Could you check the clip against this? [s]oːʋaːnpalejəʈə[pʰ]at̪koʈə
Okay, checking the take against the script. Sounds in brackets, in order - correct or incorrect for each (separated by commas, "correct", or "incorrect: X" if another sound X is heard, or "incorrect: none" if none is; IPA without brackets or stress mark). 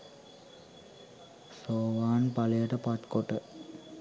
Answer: correct, incorrect: p